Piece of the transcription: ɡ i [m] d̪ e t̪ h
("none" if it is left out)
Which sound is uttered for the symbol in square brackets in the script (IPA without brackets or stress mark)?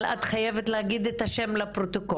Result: none